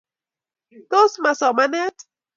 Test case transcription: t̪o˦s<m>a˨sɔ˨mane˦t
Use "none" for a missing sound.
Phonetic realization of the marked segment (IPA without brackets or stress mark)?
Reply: m